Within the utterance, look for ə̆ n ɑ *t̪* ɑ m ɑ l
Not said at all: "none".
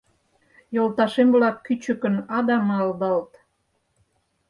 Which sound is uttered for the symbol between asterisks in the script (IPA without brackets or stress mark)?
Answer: d̪